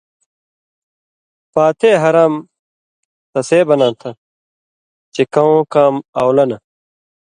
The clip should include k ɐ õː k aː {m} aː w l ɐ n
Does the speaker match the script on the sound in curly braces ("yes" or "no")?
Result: yes